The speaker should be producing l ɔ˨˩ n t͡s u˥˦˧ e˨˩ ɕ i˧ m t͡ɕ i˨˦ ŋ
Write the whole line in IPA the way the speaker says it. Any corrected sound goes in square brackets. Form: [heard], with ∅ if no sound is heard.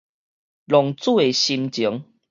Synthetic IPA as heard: l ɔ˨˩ [ŋ] t͡s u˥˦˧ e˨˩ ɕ i˧ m t͡ɕ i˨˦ ŋ

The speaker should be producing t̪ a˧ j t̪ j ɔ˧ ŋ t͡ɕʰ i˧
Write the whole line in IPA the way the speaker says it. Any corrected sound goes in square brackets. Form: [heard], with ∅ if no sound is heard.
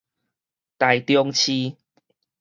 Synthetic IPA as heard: t̪ [a˨˩] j t̪ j ɔ˧ ŋ t͡ɕʰ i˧

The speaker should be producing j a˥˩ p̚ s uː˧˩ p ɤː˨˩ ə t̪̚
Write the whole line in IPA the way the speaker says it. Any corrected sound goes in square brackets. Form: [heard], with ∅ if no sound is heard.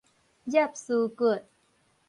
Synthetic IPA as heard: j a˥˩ p̚ s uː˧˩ [k] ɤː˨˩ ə t̪̚

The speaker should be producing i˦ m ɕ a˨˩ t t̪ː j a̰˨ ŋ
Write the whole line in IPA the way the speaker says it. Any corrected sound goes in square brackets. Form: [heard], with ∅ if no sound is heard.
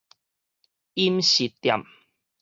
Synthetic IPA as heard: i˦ m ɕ [i˨˩] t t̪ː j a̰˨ [m]

